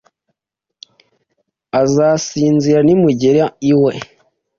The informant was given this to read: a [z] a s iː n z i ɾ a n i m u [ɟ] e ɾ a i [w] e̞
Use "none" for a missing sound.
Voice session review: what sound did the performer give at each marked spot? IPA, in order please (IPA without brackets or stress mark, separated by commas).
z, ɟ, w